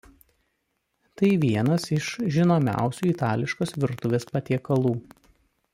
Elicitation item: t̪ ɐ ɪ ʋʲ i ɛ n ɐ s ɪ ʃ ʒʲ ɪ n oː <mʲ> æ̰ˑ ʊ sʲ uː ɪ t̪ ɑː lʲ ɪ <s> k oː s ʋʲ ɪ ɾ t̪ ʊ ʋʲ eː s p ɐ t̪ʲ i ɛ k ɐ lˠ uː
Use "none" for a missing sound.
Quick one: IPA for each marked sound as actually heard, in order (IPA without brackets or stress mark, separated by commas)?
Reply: mʲ, ʃ